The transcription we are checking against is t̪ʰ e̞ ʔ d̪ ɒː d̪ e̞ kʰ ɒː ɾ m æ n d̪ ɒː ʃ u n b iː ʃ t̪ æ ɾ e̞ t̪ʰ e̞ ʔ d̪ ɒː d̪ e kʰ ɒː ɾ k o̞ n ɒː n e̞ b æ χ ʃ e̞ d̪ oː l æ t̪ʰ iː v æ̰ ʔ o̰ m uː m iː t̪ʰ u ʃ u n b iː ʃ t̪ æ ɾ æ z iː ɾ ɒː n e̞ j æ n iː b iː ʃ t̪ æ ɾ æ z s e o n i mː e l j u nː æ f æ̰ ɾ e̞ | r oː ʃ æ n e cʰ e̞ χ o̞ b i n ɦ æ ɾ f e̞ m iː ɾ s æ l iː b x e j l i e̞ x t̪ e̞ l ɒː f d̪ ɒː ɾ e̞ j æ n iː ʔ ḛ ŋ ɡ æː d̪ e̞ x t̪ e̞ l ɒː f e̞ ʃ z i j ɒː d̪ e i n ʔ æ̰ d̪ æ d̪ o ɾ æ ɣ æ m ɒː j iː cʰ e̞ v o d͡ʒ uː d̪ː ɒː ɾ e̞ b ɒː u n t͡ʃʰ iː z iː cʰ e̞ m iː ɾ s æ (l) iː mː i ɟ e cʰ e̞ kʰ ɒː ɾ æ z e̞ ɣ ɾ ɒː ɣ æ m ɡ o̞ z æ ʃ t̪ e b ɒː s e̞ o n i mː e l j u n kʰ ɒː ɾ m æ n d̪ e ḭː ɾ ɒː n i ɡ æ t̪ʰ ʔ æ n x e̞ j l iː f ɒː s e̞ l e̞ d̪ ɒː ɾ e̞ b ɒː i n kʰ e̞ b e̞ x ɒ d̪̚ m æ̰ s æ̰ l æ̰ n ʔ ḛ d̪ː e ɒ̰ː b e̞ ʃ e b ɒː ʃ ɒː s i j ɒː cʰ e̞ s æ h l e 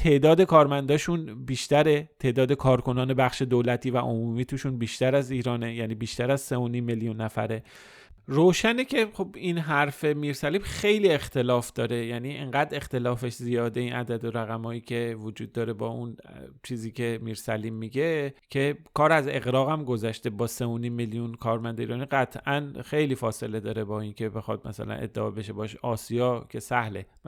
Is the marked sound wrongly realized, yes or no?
no